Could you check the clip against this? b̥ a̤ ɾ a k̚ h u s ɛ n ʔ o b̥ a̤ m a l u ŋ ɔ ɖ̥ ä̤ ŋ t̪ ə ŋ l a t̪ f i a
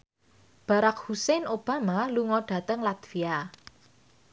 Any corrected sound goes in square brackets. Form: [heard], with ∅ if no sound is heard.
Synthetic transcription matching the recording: b̥ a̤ ɾ a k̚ h u s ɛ n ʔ o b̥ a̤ m a l u ŋ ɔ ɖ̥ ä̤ [∅] t̪ ə ŋ l a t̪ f i a